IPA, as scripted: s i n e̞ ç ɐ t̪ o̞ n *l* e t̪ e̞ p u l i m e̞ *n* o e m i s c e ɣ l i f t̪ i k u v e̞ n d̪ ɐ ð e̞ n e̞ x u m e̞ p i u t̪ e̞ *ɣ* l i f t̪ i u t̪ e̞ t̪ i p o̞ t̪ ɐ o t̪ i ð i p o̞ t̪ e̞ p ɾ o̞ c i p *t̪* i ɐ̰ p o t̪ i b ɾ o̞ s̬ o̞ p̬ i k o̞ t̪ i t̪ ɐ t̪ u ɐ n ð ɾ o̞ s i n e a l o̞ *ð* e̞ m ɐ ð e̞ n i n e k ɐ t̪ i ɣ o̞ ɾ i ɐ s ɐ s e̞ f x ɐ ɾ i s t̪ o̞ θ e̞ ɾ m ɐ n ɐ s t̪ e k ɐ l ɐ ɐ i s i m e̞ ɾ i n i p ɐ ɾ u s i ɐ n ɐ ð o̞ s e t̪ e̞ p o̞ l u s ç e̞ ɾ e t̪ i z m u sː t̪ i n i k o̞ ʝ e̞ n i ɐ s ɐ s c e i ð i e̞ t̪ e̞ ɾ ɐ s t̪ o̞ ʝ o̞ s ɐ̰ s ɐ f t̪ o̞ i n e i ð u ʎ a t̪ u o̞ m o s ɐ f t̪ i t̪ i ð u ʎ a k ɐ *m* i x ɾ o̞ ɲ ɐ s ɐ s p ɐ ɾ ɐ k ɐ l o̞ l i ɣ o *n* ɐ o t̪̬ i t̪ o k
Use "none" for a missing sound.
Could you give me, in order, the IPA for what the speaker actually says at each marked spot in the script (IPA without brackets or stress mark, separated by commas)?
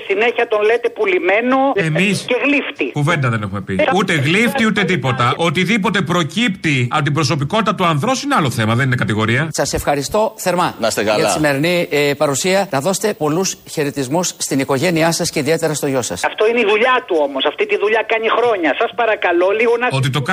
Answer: l, n, ɣ, t̪, θ, ɲ, n